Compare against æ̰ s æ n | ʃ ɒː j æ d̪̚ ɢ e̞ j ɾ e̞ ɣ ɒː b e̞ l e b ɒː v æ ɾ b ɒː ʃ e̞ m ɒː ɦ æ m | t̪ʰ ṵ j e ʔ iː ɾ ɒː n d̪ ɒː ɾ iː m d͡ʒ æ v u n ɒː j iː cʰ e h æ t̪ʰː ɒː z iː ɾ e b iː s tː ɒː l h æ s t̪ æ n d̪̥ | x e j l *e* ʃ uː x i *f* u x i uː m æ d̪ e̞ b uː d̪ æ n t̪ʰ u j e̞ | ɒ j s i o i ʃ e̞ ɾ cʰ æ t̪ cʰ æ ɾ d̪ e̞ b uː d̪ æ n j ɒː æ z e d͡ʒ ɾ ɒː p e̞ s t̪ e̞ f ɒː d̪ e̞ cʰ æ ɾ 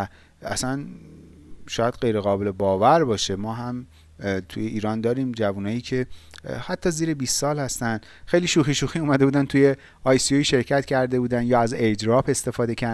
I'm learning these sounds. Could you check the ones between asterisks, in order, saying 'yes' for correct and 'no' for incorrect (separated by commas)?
no, no